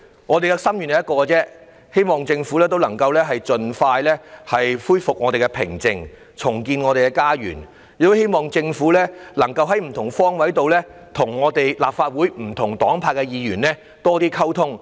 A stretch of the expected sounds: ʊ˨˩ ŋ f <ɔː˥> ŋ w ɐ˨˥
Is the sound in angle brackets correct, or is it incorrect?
correct